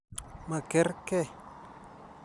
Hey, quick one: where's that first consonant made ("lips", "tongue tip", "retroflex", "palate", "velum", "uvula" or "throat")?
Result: lips